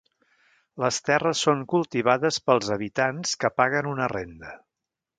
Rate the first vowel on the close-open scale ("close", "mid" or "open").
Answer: mid